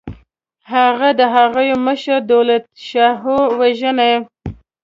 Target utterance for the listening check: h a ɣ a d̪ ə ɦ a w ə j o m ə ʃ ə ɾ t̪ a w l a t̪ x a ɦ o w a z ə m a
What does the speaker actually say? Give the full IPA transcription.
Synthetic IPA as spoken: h a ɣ a d̪ ə ɦ a ɣ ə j o m ə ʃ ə ɾ d̪ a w l a t̪ ʃ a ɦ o w a ʒ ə n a